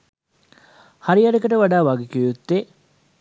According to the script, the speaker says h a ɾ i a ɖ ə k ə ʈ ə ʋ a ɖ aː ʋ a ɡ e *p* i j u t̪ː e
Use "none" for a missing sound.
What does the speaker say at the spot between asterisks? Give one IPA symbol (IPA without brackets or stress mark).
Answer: k